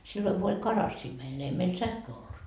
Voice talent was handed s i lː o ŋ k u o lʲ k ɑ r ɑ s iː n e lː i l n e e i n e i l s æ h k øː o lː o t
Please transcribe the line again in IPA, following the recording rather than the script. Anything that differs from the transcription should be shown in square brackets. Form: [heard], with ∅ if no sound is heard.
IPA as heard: s i lː o ŋ k u o lʲ k ɑ r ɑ [sː] iː [m] e [∅] i l n e e i [m] e i l s æ h k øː o lː [u] t